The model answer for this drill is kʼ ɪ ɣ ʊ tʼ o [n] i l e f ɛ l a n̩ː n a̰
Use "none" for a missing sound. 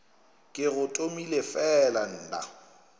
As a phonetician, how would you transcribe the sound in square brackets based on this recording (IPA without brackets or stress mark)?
m